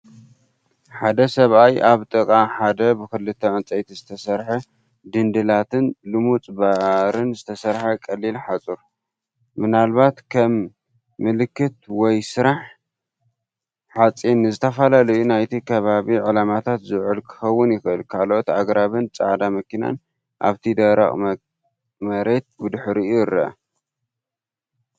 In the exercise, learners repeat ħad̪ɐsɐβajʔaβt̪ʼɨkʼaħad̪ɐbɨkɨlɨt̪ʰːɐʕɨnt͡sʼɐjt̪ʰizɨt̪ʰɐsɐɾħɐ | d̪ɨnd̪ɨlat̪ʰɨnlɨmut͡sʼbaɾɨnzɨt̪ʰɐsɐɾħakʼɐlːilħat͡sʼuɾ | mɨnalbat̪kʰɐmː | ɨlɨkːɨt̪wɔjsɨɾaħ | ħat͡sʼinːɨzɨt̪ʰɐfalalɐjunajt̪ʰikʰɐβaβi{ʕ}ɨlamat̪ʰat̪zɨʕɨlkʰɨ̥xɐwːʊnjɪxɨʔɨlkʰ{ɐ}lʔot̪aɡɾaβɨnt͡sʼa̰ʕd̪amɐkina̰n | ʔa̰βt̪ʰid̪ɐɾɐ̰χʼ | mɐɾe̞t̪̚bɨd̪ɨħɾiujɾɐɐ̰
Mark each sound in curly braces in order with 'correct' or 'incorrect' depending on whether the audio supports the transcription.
correct, incorrect: a

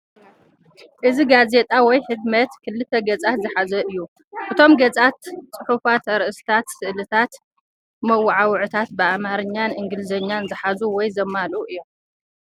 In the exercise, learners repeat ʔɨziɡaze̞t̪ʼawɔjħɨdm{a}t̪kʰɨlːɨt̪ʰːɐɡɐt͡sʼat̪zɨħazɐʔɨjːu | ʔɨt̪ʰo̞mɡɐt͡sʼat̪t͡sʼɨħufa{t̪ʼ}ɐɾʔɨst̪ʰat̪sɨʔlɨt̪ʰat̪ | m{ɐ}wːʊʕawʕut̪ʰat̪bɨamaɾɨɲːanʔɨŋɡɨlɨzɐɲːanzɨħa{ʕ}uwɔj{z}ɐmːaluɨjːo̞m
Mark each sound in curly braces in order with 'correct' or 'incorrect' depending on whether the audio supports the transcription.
incorrect: ɐ, incorrect: t̪, correct, incorrect: z, correct

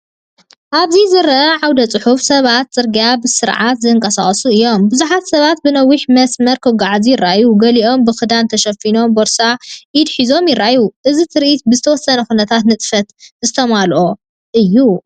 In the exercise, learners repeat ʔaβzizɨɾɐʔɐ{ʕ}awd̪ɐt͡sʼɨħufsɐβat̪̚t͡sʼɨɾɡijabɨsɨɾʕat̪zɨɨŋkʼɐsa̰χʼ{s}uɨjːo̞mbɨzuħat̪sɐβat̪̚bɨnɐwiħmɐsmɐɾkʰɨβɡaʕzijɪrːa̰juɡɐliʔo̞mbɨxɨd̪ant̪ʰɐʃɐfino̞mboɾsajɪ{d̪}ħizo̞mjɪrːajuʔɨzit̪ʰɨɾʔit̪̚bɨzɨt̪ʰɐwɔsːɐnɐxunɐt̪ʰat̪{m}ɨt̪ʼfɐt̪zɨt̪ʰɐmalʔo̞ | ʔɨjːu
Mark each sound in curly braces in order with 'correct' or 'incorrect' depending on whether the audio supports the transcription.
correct, correct, correct, incorrect: n

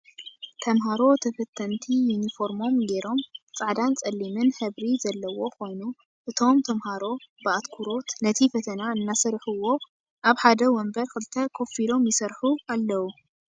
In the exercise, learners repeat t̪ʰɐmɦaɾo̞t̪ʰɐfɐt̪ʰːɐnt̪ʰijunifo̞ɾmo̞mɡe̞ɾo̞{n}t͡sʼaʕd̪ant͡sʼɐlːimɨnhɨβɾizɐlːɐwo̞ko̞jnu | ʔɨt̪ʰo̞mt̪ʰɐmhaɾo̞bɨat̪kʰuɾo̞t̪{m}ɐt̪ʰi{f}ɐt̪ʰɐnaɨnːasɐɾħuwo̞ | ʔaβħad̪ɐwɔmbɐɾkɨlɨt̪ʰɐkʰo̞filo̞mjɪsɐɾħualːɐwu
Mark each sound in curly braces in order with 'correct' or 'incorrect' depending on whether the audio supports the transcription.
incorrect: m, incorrect: n, correct

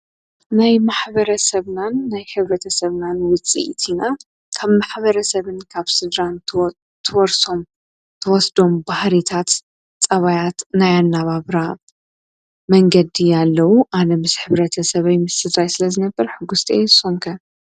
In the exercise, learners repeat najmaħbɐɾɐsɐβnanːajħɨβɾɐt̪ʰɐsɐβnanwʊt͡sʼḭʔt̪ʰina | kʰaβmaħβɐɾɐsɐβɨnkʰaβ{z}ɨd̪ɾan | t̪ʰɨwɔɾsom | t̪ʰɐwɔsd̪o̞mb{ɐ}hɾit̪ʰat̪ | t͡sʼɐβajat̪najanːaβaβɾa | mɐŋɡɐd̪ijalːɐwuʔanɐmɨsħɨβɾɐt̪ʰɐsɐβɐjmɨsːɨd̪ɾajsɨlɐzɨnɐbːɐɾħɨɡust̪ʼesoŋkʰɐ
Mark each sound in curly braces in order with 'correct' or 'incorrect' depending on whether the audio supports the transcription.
incorrect: s, incorrect: a

